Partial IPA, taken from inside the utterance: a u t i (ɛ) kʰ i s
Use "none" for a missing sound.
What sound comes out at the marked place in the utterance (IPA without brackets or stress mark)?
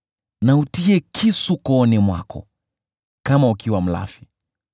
ɛ